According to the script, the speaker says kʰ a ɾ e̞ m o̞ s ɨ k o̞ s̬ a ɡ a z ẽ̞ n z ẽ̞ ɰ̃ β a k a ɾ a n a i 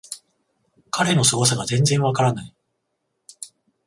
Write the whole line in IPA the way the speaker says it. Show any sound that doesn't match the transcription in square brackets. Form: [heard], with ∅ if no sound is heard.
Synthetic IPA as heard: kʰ a ɾ e̞ [n] o̞ s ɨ [ɡ] o̞ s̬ a ɡ a z ẽ̞ n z ẽ̞ ɰ̃ β a k a ɾ a n a i